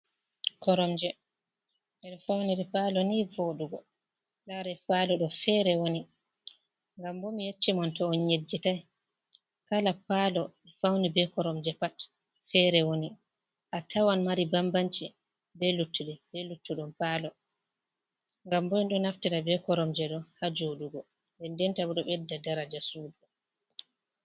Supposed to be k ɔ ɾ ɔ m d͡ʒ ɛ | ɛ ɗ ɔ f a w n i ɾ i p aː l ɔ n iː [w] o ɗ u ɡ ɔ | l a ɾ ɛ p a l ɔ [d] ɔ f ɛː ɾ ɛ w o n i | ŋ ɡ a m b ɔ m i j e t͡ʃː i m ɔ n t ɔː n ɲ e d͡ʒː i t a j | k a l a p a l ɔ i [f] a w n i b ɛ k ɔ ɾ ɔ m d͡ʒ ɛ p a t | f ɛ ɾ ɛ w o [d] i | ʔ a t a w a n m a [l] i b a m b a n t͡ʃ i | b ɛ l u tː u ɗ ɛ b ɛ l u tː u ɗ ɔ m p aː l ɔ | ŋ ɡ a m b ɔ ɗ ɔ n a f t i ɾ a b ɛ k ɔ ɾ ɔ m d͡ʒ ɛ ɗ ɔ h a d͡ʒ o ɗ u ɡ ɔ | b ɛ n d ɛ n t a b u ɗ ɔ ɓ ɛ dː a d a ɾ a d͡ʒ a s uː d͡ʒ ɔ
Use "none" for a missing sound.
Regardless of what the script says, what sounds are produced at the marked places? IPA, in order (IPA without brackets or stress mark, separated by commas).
v, ɗ, f, n, ɾ